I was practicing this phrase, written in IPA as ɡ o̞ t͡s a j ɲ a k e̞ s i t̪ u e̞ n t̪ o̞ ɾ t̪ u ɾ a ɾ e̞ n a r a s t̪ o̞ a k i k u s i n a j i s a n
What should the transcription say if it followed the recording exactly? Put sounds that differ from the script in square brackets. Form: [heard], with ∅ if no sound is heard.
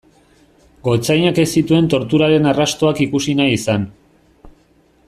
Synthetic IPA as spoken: ɡ o̞ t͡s a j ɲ a k e̞ s i t̪ u e̞ n t̪ o̞ ɾ t̪ u ɾ a ɾ e̞ n a r a s t̪ o̞ a k i k u s i n a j i s a n